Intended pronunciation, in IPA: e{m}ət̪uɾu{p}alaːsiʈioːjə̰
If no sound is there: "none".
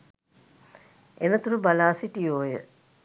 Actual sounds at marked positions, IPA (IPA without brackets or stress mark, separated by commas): n, b